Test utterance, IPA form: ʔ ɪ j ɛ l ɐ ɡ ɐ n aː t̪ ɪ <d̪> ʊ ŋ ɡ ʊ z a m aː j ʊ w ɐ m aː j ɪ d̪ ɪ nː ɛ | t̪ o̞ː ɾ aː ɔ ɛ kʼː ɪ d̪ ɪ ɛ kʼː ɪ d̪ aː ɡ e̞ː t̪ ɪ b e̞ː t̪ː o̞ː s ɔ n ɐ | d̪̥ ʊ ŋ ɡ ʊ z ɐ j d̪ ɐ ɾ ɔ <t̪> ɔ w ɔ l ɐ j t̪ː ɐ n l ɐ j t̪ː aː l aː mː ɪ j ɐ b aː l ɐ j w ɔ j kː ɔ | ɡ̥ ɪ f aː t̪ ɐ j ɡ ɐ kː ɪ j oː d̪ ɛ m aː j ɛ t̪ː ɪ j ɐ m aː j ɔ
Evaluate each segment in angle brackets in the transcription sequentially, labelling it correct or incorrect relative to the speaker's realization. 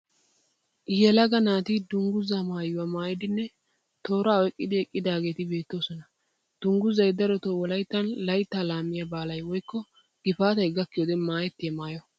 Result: correct, correct

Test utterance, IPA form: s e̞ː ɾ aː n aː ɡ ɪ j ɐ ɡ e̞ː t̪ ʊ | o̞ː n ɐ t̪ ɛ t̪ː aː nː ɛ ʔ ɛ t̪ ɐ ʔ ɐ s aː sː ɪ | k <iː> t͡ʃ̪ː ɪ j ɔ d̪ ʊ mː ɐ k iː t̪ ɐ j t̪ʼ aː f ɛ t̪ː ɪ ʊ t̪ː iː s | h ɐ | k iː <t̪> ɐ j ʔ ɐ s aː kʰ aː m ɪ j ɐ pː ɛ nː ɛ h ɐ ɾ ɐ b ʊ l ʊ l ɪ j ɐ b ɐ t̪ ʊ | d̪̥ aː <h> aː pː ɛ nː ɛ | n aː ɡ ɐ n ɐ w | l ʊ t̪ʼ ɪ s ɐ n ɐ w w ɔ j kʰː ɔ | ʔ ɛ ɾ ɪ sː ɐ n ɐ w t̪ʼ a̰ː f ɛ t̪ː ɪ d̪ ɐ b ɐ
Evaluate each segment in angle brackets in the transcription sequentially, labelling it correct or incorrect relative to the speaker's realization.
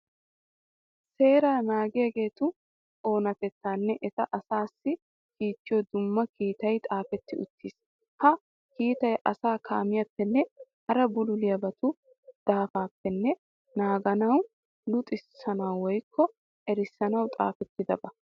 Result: correct, correct, incorrect: f

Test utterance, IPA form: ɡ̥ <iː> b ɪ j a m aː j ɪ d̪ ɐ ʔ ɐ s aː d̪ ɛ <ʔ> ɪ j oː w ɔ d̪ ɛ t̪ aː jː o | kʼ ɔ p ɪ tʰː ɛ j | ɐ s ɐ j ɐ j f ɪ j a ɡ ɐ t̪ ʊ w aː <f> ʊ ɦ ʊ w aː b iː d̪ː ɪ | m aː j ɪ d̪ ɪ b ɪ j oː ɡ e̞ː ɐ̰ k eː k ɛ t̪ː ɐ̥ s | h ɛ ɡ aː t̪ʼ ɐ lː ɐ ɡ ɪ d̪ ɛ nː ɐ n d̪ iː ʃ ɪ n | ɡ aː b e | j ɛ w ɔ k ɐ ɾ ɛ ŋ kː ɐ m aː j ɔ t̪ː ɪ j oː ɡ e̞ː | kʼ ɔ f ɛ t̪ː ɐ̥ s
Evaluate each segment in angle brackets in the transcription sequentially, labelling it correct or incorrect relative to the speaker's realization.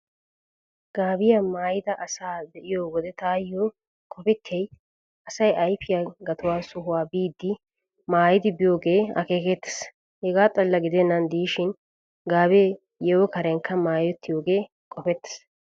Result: incorrect: aː, correct, incorrect: s

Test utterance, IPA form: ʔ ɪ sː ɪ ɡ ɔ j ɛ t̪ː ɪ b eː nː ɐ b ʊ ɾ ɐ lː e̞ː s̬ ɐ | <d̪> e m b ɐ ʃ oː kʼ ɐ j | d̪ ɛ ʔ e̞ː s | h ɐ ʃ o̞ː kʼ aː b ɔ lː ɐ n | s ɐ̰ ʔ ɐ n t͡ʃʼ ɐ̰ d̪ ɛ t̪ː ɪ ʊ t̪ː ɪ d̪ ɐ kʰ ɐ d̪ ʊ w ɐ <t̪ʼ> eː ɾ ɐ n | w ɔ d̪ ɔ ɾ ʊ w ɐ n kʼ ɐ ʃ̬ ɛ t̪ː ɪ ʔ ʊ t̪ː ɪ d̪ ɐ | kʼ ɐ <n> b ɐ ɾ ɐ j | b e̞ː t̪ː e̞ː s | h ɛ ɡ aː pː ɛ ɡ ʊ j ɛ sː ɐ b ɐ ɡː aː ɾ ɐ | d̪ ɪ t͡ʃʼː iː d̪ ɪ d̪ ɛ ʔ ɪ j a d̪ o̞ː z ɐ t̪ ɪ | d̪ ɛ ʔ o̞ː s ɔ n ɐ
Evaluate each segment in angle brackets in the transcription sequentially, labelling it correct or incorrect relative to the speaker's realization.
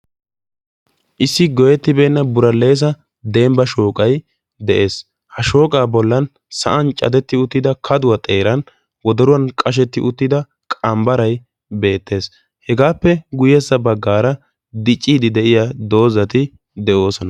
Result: correct, correct, incorrect: m

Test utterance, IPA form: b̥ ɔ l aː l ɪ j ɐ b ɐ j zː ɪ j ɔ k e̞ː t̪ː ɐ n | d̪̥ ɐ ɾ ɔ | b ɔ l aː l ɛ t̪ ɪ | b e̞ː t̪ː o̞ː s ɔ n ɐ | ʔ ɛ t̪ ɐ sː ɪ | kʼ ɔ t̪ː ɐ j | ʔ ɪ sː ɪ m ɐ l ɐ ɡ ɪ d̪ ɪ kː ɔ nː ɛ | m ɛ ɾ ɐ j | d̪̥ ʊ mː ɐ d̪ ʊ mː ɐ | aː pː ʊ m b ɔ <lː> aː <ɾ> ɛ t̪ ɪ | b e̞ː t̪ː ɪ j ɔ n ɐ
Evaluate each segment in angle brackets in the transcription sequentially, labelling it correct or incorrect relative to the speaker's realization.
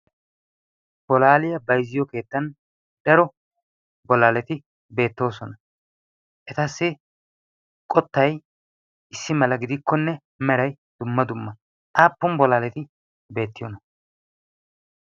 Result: incorrect: l, incorrect: l

